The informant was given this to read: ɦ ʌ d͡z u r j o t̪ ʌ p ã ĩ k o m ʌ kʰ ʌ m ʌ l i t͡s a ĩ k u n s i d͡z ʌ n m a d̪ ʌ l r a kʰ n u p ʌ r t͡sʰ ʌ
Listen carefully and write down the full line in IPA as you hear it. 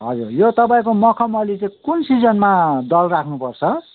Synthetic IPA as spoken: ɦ ʌ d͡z u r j o t̪ ʌ p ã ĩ k o m ʌ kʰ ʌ m ʌ l i t͡s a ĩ k u n s i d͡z ʌ n m a d̪ ʌ l r a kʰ n u p ʌ r t͡sʰ ʌ